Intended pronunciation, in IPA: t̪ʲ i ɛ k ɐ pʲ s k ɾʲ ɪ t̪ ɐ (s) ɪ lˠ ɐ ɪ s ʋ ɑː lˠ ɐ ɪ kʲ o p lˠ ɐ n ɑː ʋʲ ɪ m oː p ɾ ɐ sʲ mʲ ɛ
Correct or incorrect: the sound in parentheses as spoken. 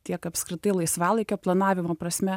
incorrect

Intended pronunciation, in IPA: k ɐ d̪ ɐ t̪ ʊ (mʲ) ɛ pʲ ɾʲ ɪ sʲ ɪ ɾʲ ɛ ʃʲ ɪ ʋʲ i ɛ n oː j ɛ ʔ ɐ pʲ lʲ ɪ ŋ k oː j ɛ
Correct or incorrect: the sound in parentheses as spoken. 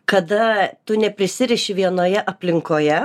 incorrect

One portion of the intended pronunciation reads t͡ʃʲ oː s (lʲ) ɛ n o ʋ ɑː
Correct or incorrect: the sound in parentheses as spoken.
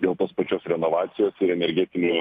incorrect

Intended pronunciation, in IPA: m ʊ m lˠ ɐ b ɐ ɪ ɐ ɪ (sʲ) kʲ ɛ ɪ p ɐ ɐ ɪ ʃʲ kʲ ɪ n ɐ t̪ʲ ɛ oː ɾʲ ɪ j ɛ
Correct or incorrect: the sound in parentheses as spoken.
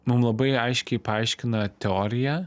incorrect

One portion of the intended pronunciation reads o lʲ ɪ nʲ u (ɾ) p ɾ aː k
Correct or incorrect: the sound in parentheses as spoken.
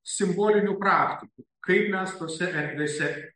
incorrect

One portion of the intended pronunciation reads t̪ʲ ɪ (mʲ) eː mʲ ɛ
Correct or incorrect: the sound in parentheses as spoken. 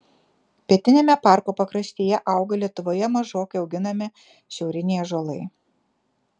incorrect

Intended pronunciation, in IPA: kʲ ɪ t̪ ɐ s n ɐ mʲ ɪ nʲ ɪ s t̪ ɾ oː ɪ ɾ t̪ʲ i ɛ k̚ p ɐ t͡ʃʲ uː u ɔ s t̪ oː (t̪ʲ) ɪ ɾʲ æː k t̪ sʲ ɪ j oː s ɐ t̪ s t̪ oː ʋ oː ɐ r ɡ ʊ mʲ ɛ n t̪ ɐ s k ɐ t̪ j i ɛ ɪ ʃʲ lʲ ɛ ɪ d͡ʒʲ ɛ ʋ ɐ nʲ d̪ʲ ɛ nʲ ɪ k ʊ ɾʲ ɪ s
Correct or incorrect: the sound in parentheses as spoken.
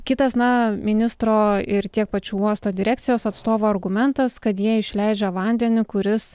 incorrect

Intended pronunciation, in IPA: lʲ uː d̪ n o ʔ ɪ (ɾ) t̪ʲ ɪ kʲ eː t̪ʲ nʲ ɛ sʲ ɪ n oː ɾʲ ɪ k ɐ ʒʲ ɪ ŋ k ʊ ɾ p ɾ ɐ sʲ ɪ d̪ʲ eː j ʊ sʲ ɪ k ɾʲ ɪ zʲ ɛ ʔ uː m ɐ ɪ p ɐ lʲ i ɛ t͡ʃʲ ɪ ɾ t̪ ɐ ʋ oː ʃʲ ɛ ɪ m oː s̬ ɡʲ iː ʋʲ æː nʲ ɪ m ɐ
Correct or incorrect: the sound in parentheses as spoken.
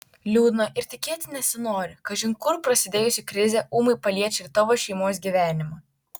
correct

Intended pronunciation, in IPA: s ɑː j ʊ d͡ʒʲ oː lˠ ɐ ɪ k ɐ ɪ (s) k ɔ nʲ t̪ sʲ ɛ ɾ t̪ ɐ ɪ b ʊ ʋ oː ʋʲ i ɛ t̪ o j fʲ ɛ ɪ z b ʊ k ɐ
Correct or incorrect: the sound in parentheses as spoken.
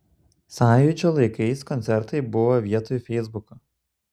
correct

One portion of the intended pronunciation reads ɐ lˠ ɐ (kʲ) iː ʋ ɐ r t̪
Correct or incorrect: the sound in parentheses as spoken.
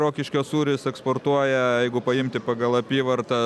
incorrect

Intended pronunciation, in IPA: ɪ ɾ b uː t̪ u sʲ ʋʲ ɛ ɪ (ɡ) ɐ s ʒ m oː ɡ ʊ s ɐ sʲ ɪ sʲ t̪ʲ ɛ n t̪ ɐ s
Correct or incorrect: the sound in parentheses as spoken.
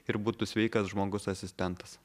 incorrect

